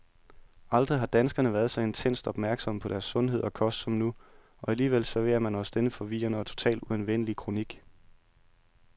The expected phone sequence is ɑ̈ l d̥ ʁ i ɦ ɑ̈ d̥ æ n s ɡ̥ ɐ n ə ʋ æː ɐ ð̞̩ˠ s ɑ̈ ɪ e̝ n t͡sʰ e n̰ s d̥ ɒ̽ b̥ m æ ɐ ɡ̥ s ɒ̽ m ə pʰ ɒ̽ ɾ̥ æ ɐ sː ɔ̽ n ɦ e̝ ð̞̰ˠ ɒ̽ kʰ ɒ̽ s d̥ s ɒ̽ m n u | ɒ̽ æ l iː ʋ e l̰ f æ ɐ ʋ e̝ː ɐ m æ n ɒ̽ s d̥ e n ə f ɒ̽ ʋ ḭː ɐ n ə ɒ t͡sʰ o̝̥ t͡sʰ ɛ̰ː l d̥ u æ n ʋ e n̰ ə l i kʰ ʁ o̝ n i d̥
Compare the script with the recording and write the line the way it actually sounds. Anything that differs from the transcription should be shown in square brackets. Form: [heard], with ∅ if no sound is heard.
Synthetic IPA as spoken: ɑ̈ l d̥ ʁ i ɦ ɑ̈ d̥ æ n s ɡ̥ ɐ n ə ʋ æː ɐ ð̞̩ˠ s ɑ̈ ɪ e̝ n t͡sʰ e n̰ s d̥ ɒ̽ b̥ m æ ɐ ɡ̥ s ɒ̽ m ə pʰ ɒ̽ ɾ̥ æ ɐ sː ɔ̽ n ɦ e̝ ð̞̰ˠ ɒ̽ kʰ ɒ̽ s d̥ s ɒ̽ m n u | ɒ̽ æ l iː ʋ e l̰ [s] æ ɐ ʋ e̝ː ɐ m æ n ɒ̽ s d̥ e n ə f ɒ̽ ʋ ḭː ɐ n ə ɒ t͡sʰ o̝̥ t͡sʰ ɛ̰ː l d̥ u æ n ʋ e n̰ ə l i kʰ ʁ o̝ n i [ɡ̥]